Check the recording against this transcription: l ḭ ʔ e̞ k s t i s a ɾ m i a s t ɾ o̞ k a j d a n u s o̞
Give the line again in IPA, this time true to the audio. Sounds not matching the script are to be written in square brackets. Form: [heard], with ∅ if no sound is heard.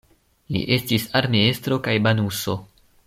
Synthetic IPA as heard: l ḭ ʔ e̞ [∅] s t i s a ɾ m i [e] s t ɾ o̞ k a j [b] a n u s o̞